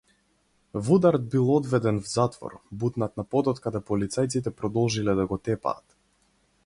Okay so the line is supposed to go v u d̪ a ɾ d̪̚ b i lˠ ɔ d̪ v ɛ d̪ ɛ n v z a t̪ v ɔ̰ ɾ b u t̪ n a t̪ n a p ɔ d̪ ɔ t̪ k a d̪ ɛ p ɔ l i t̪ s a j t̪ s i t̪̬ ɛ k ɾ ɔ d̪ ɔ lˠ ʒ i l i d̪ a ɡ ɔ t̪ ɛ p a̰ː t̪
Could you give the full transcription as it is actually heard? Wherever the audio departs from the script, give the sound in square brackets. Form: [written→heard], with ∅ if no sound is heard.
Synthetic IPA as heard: v u d̪ a ɾ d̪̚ b i lˠ ɔ d̪ v ɛ d̪ ɛ n v z a t̪ v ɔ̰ ɾ b u t̪ n a t̪ n a p ɔ d̪ ɔ t̪ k a d̪ ɛ p ɔ l i t̪ s a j t̪ s i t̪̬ ɛ [k→p] ɾ ɔ d̪ ɔ lˠ ʒ i l [i→ɛ] d̪ a ɡ ɔ t̪ ɛ p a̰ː t̪